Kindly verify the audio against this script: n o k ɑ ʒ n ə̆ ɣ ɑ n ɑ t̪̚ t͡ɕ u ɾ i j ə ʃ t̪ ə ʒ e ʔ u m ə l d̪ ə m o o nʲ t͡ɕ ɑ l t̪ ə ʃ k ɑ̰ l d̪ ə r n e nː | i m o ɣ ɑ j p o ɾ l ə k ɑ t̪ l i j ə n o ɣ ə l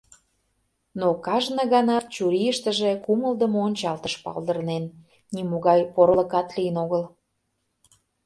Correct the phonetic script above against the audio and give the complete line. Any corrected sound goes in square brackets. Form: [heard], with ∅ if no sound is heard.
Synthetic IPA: n o k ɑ ʒ n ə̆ ɣ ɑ n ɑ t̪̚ t͡ɕ u ɾ i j ə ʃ t̪ ə ʒ e [k] u m ə l d̪ ə m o o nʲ t͡ɕ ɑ l t̪ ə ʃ [p] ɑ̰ l d̪ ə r n e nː | i m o ɣ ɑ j p o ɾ l ə k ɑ t̪ l i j ə n o ɣ ə l